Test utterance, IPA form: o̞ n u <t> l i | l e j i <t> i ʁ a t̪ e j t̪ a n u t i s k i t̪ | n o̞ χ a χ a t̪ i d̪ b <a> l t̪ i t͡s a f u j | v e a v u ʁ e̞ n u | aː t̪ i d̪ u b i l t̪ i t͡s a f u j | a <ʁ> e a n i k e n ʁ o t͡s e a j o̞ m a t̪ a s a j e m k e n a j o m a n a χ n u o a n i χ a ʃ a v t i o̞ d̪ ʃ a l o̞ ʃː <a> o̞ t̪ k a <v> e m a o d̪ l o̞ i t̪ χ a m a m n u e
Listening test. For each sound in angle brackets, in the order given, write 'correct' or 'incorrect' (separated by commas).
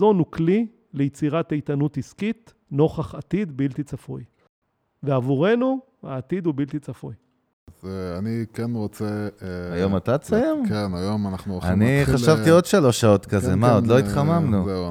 incorrect, incorrect, incorrect, incorrect, correct, incorrect